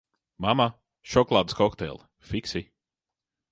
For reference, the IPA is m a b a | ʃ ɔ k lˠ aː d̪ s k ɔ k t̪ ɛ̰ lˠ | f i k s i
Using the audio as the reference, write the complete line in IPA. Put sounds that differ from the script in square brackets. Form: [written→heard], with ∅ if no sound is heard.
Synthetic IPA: m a [b→m] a | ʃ ɔ k lˠ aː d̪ s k ɔ k t̪ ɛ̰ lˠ | f i k s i